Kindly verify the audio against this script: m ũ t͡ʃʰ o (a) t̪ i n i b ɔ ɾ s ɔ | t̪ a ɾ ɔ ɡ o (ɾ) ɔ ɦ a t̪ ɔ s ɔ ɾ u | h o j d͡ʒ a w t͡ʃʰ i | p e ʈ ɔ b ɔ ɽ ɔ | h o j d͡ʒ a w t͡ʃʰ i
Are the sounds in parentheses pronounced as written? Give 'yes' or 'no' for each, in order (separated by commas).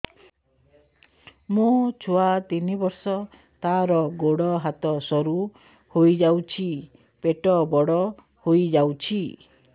yes, no